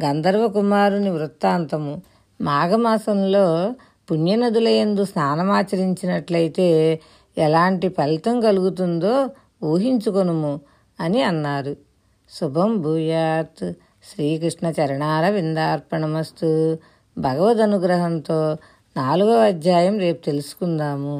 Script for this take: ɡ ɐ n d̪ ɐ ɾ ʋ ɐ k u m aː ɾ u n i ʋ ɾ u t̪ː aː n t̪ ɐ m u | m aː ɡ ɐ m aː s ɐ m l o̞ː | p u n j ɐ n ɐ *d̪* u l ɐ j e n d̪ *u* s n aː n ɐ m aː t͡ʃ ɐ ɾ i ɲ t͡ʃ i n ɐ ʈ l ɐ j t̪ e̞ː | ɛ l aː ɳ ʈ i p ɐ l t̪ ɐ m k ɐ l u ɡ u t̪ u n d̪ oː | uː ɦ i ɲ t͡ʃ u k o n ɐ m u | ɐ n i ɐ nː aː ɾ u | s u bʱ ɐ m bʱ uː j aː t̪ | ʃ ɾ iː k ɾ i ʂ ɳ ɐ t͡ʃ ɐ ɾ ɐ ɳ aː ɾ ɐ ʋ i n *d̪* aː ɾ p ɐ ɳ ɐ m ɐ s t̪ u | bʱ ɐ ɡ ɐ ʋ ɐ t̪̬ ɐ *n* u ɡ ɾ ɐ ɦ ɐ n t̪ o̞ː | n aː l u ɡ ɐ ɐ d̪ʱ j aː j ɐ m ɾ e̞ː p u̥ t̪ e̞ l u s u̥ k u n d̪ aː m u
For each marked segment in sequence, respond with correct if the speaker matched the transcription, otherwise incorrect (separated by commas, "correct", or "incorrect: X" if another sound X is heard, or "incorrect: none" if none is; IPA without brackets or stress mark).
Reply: correct, correct, correct, correct